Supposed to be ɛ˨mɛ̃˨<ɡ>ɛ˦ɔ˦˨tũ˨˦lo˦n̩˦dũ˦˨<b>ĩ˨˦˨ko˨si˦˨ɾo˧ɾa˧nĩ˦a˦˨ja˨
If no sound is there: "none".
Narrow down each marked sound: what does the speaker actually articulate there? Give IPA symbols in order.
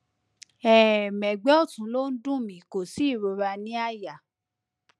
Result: ɡ͡b, m

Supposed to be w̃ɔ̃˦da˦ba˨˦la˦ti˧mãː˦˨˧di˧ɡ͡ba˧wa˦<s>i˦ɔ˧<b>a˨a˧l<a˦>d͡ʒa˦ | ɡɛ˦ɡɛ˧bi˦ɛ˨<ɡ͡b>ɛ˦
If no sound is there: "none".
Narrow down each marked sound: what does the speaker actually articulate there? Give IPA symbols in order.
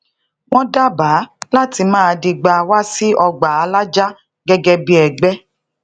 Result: s, ɡ͡b, a˦, ɡ͡b

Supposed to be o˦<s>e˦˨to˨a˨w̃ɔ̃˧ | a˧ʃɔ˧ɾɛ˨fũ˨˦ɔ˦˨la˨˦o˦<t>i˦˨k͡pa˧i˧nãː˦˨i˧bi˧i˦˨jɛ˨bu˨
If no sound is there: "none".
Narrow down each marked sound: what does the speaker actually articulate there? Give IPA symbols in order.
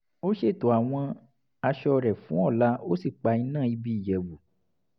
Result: ʃ, s

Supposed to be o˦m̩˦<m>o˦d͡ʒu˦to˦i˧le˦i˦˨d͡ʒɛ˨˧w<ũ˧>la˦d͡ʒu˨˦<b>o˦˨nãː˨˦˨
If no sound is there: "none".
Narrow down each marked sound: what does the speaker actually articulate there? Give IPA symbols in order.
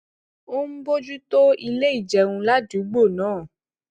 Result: b, ũ˧, ɡ͡b

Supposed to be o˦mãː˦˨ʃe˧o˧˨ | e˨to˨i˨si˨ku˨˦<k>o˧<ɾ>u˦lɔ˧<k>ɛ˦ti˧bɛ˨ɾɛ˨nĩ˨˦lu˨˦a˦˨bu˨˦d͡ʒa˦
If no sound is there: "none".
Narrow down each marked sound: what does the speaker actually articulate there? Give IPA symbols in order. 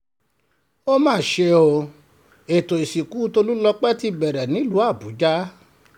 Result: t, l, k͡p

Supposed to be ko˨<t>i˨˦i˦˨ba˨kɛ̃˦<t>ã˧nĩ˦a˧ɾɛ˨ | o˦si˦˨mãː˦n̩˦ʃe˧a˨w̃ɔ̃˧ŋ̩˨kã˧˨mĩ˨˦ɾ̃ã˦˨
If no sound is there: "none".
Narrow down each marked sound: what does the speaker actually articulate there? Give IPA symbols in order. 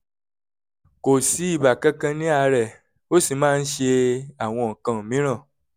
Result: s, k

